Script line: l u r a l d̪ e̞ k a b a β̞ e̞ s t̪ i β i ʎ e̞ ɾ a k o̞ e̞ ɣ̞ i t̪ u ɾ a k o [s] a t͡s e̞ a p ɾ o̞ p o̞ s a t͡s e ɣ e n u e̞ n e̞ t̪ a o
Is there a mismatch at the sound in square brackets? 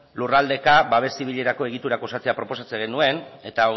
no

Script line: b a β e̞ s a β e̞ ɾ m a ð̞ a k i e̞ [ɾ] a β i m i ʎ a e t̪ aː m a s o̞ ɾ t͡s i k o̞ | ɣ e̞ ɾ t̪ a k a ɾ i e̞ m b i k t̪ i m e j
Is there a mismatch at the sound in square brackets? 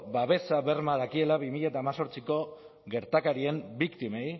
yes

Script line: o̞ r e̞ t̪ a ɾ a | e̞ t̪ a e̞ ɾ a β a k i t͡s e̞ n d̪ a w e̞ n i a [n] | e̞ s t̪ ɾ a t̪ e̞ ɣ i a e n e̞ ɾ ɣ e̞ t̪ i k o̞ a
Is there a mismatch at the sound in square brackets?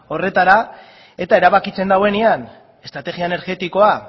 no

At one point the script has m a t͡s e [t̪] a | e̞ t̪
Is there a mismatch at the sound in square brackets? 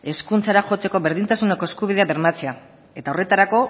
yes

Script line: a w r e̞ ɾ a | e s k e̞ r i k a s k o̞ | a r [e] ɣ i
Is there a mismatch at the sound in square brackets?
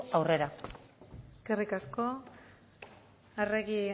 no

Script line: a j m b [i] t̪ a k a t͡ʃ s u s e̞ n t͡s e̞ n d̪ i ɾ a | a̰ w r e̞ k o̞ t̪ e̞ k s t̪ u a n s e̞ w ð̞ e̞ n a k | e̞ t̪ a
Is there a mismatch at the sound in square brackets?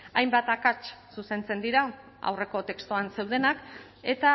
yes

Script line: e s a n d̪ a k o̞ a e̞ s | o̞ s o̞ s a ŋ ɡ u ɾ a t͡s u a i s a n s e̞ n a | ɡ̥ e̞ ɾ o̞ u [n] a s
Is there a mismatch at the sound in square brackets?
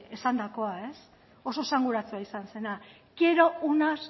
no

